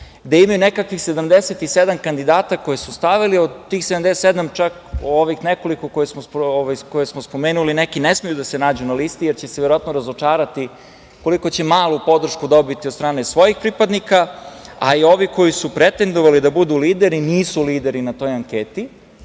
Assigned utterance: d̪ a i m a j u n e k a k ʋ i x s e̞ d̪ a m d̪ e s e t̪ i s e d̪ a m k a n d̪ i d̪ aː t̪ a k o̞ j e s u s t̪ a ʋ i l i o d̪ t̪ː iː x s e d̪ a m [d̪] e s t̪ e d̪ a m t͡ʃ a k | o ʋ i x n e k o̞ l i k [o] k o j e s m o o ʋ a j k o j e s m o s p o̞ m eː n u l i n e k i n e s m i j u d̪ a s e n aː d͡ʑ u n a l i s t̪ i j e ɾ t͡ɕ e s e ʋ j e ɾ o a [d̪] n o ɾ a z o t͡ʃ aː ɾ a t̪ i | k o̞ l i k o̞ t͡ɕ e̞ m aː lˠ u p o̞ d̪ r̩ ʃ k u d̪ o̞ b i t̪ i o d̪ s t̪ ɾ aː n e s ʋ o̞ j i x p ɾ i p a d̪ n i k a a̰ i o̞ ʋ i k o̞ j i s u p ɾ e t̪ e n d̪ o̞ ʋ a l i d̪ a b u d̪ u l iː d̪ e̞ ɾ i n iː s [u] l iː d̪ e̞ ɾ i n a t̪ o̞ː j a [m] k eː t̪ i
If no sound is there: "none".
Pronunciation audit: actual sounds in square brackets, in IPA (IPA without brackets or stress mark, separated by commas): d̪, o, t̪, u, ŋ